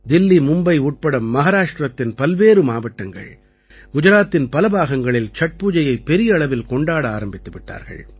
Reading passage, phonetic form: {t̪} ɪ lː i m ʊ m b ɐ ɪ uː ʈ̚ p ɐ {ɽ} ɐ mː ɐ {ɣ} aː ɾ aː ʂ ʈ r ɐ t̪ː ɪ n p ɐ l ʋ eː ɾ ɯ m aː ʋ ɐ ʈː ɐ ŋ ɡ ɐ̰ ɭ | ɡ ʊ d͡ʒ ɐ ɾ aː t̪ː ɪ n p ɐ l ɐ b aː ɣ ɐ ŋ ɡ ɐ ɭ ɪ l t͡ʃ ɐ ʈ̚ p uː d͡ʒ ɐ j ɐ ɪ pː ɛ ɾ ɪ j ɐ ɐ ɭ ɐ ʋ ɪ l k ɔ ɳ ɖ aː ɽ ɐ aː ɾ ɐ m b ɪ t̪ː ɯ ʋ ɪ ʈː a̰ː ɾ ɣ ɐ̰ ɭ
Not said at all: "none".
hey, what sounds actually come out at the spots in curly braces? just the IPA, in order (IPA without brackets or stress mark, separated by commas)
d̪, ɽ, ɣ